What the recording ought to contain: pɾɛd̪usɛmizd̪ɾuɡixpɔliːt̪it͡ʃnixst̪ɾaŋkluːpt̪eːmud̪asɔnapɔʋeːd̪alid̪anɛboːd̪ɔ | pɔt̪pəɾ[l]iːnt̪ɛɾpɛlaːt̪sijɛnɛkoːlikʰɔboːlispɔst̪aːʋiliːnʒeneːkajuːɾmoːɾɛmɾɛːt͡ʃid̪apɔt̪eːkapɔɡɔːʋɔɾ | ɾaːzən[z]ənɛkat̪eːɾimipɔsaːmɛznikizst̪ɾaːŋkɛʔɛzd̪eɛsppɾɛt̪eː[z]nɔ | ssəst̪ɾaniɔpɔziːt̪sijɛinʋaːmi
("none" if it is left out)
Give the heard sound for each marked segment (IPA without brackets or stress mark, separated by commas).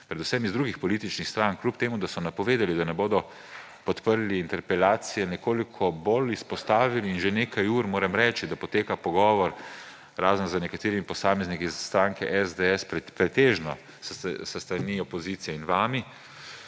l, z, ʒ